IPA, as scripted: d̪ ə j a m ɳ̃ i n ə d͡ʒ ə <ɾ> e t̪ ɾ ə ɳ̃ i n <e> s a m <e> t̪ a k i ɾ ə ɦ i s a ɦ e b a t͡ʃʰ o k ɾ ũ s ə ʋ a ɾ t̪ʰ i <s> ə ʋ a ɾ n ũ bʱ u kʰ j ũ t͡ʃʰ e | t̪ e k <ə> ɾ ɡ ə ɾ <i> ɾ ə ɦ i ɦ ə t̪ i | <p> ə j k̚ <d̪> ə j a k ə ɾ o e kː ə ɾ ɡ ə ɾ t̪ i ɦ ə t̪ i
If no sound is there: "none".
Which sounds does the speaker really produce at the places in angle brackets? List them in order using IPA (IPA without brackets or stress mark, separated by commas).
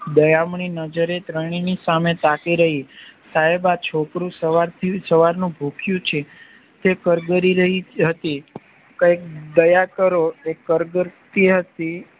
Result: ɾ, i, e, s, ə, i, k, d̪